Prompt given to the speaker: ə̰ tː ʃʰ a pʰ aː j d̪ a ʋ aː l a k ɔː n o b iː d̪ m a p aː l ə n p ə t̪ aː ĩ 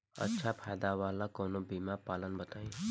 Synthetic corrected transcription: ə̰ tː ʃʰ a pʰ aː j d̪ a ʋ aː l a k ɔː n o b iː m a p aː l ə n b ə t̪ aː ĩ